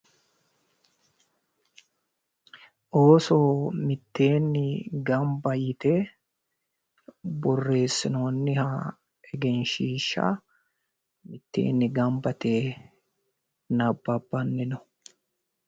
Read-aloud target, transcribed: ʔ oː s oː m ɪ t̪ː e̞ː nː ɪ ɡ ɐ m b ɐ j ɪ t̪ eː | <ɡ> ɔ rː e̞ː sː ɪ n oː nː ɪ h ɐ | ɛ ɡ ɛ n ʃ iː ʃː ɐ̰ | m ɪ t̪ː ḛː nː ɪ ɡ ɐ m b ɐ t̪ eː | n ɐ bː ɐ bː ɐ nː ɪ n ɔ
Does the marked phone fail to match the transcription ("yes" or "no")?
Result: yes